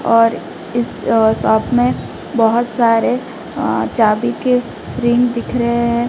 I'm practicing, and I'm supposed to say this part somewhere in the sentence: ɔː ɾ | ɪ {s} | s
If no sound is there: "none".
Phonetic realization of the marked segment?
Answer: s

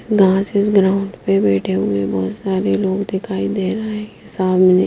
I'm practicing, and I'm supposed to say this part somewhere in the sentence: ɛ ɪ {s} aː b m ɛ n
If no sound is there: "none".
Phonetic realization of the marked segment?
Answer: s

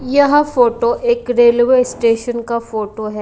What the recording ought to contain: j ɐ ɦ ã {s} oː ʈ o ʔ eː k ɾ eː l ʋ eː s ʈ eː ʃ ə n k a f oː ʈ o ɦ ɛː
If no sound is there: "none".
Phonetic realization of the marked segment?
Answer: f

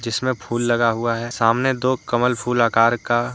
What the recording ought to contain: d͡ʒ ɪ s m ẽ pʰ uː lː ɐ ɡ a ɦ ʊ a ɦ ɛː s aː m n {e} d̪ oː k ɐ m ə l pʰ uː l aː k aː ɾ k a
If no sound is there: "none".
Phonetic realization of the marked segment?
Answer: e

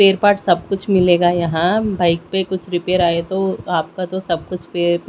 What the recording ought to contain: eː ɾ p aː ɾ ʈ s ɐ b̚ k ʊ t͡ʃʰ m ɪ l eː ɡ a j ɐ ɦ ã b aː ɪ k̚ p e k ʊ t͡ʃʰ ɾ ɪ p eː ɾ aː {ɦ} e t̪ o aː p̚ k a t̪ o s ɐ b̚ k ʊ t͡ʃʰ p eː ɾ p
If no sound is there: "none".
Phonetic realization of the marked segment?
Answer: none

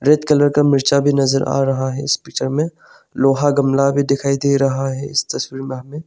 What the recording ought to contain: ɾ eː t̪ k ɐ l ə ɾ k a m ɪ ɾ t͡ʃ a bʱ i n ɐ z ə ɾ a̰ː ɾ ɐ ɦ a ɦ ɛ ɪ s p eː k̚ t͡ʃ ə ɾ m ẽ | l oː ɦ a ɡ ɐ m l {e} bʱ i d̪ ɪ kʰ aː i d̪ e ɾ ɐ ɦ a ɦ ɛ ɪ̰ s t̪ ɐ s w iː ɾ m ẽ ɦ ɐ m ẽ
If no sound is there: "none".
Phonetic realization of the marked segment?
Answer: a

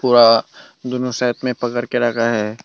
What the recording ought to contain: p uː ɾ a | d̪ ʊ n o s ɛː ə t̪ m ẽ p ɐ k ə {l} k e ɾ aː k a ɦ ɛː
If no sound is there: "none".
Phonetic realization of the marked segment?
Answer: ɾ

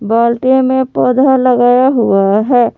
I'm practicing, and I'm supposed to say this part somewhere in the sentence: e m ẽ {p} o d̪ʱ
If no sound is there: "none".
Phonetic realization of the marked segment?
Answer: p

